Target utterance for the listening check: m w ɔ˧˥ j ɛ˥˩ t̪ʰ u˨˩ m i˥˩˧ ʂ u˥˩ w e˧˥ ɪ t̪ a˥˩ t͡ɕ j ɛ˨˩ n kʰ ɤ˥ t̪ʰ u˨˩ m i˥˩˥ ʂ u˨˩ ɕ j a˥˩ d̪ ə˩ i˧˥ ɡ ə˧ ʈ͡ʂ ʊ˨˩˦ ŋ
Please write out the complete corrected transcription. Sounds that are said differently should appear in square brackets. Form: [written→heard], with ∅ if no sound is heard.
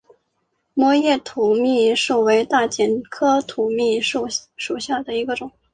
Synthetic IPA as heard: m w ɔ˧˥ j ɛ˥˩ t̪ʰ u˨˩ m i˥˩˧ ʂ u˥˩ w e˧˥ ɪ t̪ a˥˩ t͡ɕ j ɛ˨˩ n kʰ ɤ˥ t̪ʰ u˨˩ m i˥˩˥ ʂ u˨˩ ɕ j a˥˩ d̪ ə˩ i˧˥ ɡ ə˧ ʈ͡ʂ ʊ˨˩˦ ŋ